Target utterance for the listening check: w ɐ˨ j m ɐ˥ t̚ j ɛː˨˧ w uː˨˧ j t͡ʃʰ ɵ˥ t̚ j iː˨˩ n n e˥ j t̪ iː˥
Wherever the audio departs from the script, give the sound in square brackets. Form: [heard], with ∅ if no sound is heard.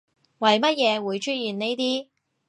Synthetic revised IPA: w ɐ˨ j m ɐ˥ t̚ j ɛː˨˧ w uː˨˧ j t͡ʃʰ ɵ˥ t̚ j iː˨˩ n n e˥ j t̪ iː˥